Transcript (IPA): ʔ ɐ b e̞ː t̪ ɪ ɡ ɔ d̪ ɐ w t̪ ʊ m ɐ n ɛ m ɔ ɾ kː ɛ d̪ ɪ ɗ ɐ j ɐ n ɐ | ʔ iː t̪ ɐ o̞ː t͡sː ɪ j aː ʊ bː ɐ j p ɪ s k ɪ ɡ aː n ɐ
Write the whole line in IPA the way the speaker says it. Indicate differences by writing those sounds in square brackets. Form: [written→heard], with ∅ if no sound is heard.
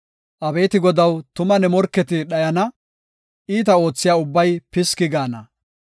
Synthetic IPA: ʔ ɐ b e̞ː t̪ ɪ ɡ ɔ d̪ ɐ w t̪ ʊ m ɐ n ɛ m ɔ ɾ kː ɛ [d̪→t̪] ɪ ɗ ɐ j ɐ n ɐ | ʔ iː t̪ ɐ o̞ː t͡sː ɪ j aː ʊ bː ɐ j p ɪ s k ɪ ɡ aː n ɐ